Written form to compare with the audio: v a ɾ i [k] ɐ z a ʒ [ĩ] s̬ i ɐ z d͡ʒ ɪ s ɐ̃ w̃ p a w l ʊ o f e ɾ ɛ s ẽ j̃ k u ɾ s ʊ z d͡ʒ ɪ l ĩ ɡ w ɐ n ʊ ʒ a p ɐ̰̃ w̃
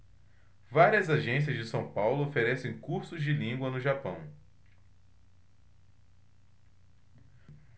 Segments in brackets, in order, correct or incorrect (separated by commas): incorrect, incorrect